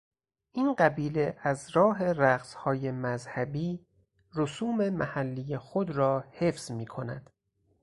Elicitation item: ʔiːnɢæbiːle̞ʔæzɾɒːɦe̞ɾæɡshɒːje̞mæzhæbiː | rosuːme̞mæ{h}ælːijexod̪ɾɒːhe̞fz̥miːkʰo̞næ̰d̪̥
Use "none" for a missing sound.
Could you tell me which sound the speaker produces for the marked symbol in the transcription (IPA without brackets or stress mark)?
h